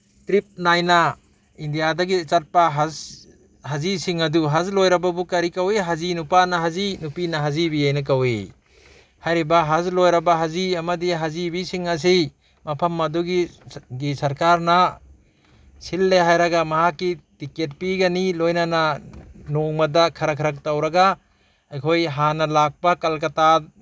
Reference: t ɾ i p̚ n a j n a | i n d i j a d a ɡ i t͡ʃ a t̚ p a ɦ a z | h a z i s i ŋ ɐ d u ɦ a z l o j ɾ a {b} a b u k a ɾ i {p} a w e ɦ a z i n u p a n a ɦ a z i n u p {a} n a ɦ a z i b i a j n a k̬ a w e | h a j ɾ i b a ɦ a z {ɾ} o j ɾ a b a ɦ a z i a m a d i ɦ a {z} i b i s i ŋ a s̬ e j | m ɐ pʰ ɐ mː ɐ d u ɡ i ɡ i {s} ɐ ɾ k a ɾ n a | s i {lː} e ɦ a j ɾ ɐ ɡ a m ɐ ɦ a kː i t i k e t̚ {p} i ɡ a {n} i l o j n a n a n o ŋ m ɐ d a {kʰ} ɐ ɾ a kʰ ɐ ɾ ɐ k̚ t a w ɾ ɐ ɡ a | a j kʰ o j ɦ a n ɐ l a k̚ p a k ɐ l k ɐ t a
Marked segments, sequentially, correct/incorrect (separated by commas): correct, incorrect, incorrect, incorrect, correct, correct, correct, correct, correct, correct